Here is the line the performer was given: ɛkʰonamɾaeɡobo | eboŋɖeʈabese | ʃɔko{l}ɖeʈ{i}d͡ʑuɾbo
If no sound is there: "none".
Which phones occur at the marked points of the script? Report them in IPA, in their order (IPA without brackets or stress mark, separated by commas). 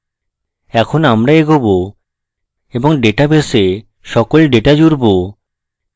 l, a